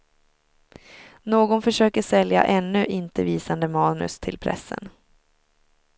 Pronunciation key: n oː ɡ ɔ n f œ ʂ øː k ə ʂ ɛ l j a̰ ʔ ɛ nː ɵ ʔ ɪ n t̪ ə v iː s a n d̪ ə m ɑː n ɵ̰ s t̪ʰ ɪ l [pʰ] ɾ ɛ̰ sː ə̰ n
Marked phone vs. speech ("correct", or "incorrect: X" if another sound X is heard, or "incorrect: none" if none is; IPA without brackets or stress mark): correct